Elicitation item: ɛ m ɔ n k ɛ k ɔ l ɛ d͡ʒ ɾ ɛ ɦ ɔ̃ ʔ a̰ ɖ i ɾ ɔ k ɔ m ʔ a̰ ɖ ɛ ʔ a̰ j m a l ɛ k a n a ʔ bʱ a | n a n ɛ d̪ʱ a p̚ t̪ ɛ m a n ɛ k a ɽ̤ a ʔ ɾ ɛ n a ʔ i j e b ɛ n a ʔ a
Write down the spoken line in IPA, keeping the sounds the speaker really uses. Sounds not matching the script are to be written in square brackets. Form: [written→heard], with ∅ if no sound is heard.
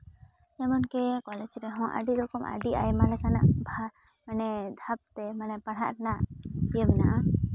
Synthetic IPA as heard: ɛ m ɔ n k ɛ k ɔ l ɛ d͡ʒ ɾ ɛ ɦ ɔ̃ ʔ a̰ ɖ i ɾ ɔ k ɔ m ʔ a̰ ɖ [ɛ→i] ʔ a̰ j m a l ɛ k a n a ʔ bʱ a | [n→m] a n ɛ d̪ʱ a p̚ t̪ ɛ m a n ɛ [k→p] a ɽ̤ a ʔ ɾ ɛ n a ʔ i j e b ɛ n a ʔ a